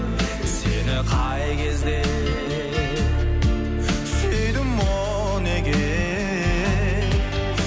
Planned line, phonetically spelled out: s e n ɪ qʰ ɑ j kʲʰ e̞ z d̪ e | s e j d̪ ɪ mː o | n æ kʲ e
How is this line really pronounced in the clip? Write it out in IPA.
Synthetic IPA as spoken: s e n ɪ qʰ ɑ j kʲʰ e̞ z d̪ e | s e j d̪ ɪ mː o | n e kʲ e